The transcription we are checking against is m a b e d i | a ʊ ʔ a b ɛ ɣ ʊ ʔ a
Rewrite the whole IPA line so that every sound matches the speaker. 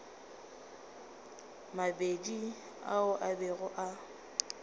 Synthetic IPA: m a b e d i | a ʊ ʔ a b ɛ ɣ ʊ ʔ a